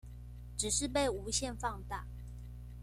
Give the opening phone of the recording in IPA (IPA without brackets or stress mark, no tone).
ʈ͡ʂ